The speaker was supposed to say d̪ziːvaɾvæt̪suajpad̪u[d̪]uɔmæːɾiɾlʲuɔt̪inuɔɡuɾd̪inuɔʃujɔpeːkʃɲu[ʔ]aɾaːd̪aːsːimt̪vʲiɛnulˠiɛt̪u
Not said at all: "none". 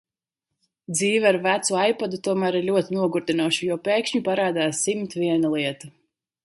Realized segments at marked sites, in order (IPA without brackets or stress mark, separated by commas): t̪, p